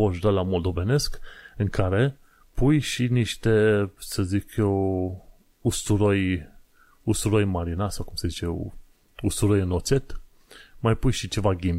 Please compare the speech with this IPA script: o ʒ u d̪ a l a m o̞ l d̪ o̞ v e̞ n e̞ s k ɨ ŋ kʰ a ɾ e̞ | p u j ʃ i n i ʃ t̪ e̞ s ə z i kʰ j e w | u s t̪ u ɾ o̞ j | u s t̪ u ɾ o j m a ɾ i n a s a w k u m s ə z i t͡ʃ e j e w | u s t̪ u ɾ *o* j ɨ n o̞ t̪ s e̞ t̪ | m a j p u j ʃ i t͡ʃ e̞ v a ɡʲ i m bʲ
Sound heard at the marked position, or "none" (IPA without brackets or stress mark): o